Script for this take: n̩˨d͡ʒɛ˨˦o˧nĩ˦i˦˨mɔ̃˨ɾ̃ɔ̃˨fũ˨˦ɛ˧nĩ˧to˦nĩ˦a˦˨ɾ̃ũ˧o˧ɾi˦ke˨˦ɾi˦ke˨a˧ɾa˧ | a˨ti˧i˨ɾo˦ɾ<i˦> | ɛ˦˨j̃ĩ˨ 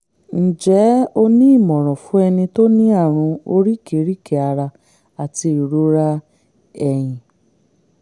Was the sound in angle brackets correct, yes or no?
no